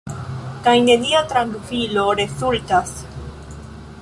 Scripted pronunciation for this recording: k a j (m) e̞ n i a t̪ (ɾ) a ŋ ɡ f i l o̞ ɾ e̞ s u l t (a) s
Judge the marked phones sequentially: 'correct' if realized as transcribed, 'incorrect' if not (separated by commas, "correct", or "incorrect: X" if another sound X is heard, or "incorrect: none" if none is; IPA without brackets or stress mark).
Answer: incorrect: n, correct, correct